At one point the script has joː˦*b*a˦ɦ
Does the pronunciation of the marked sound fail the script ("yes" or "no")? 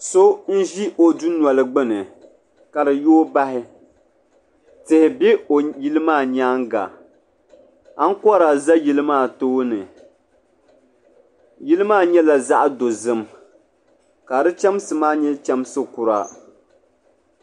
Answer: no